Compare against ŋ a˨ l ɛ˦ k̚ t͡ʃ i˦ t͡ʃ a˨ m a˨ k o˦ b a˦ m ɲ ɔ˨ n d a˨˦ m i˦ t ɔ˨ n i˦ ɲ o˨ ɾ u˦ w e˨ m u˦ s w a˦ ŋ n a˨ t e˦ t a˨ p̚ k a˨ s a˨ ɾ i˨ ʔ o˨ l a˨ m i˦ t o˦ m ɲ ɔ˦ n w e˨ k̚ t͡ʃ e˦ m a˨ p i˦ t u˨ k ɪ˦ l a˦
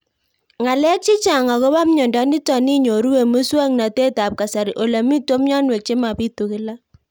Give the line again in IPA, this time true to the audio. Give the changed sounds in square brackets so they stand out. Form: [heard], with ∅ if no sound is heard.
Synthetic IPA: ŋ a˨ l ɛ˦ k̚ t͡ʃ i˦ t͡ʃ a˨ [ŋ] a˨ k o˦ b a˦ m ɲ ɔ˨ n d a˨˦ [n] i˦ t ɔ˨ n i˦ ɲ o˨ ɾ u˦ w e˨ m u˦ s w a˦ ŋ n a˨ t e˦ t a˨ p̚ k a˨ s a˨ ɾ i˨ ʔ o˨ l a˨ m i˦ t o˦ m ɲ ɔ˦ n w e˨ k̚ t͡ʃ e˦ m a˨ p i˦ t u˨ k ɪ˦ l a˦